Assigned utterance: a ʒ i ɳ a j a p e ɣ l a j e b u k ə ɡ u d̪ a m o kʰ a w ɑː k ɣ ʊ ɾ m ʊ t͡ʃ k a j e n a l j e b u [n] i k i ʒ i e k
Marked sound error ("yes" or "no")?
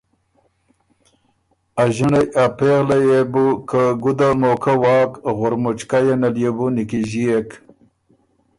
no